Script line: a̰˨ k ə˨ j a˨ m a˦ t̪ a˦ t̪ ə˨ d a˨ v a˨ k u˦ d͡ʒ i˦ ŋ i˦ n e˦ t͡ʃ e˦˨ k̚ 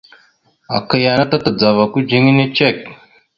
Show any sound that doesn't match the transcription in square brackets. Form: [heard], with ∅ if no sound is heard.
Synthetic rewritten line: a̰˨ k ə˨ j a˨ [n] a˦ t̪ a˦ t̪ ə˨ [d͡z] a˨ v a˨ k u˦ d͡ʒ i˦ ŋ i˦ n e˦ t͡ʃ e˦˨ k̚